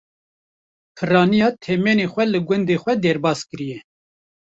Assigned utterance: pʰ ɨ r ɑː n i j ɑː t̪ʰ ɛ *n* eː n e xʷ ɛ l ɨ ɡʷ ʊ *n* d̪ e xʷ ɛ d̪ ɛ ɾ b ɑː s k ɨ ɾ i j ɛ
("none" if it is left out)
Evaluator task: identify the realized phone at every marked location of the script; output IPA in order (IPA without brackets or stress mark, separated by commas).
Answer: m, n